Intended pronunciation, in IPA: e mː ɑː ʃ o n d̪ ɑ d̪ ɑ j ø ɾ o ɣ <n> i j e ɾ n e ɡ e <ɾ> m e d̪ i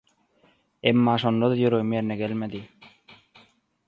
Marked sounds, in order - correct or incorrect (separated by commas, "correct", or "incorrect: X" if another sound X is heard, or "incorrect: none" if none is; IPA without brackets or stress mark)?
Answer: incorrect: m, incorrect: l